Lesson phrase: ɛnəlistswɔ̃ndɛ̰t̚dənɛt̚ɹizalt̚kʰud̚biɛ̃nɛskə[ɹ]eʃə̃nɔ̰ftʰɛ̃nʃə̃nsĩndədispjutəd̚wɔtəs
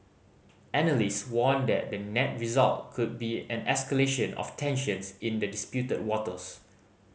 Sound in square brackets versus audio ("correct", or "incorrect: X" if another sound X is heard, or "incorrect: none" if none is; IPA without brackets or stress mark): incorrect: l